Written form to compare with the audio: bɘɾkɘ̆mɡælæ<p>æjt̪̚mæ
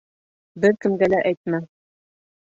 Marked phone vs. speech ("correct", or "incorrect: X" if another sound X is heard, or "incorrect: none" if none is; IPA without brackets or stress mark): incorrect: ʔ